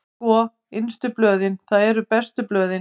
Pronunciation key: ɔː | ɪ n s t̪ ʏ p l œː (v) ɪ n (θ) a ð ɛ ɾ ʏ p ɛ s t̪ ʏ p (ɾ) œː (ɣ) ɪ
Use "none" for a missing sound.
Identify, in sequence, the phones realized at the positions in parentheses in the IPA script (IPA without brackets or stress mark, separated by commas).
ð, θ, l, ð